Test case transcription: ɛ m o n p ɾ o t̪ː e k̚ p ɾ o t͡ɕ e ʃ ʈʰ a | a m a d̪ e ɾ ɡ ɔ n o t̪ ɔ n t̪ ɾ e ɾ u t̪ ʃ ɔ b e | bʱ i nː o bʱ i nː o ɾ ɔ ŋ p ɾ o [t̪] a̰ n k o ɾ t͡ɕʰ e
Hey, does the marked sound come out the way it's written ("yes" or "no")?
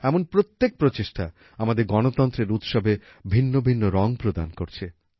no